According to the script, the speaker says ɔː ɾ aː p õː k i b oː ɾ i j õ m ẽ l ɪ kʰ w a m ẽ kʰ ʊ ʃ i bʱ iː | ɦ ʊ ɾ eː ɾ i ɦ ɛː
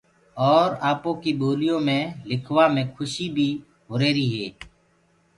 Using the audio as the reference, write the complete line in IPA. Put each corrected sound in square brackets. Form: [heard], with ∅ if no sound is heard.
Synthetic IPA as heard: ɔː ɾ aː p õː k i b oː [l] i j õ m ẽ l ɪ kʰ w a m ẽ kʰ ʊ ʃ i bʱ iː | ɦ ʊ ɾ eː ɾ i ɦ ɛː